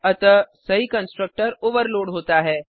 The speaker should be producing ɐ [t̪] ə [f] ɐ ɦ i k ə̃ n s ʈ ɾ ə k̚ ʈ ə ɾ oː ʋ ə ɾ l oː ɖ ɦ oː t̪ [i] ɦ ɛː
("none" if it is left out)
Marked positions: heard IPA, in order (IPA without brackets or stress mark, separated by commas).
t̪, s, a